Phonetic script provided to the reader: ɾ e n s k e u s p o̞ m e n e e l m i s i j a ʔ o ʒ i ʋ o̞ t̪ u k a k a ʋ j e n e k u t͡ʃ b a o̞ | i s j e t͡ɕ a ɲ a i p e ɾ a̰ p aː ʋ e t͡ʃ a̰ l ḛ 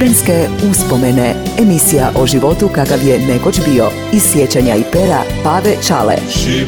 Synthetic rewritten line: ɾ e n s k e u s p o̞ m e n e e m i s i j a ʔ o ʒ i ʋ o̞ t̪ u k a k a ʋ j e n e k o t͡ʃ b i o̞ | i s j e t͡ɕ a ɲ a i p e ɾ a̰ p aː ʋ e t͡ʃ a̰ l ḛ